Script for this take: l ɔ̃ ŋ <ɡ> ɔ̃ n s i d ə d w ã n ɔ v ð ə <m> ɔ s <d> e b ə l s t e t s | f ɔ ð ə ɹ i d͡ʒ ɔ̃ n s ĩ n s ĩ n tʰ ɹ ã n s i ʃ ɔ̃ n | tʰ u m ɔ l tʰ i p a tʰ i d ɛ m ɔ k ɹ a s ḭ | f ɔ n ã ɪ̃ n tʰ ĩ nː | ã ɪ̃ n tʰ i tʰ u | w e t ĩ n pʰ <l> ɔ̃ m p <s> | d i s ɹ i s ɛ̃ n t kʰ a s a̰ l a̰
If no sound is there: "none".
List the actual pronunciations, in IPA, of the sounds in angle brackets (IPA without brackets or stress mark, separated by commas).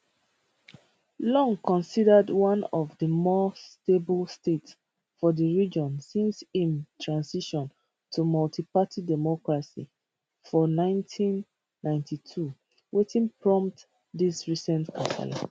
k, m, t, ɹ, t